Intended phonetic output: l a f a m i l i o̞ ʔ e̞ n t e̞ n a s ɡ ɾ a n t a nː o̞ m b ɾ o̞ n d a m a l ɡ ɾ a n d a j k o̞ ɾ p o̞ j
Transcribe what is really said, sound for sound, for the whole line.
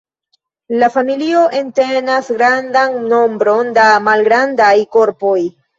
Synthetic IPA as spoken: l a f a m i l i o̞ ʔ e̞ n t e̞ n a s ɡ ɾ a n d a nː o̞ m b ɾ o̞ n d a m a l ɡ ɾ a n d a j k o̞ ɾ p o̞ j

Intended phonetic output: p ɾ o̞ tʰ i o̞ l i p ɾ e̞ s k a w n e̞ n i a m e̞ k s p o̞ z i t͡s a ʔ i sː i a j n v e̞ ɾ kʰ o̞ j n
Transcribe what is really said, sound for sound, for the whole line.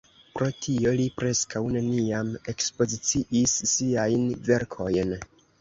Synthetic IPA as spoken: p ɾ o̞ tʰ i o̞ l i p ɾ e̞ s k a w n e̞ n i a m e̞ k s p o̞ z i t͡s i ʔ i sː i a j n v e̞ ɾ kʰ o̞ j n

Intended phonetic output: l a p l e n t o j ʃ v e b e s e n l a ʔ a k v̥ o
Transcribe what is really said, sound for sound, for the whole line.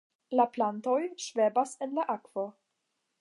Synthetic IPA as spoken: l a p l a n t o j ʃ v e b a s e n l a ʔ a k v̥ o

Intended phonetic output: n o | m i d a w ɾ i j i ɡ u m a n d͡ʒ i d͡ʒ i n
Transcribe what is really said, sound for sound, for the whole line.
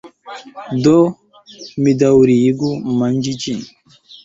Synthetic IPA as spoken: d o | m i d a w ɾ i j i ɡ u m a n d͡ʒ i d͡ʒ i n

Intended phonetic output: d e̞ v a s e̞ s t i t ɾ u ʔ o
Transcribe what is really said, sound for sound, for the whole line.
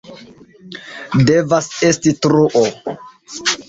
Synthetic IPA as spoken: d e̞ v a s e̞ s t i t ɾ u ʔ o

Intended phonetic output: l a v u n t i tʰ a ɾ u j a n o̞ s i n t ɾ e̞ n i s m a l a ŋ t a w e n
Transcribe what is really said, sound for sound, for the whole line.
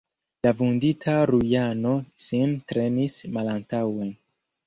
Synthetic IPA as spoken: l a v u n d i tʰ a ɾ u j a n o̞ s i n t ɾ e̞ n i s m a l a n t a w e n

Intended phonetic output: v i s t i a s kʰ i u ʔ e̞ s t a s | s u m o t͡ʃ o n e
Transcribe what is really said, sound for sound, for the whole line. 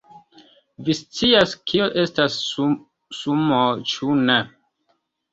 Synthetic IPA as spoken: v i s t͡s i a s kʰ i o ʔ e̞ s t a s | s u m o t͡ʃ u n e

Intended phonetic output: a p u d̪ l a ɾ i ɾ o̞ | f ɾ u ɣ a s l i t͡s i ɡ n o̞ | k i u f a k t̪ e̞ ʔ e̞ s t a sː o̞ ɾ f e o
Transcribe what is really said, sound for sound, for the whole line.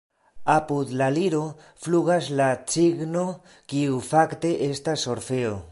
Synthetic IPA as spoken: a p u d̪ l a l i ɾ o̞ | f l u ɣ a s l a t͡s i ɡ n o̞ | k i u f a k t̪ e̞ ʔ e̞ s t a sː o̞ ɾ f e o

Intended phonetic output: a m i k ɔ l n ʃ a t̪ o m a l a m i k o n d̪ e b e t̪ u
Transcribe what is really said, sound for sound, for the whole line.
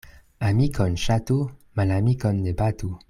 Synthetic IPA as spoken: a m i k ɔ n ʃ a t̪ u m a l a m i k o n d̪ e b a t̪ u

